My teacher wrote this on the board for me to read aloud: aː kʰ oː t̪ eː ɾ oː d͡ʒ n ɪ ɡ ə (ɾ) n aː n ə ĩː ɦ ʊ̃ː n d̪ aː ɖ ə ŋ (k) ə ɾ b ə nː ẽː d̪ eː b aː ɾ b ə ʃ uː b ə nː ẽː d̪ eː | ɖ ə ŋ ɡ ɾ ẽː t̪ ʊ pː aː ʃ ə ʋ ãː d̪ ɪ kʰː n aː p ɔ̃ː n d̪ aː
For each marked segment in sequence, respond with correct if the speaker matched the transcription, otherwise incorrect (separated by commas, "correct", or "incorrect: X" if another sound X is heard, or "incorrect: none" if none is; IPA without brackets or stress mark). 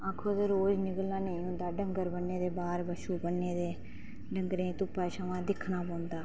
incorrect: l, incorrect: ɡ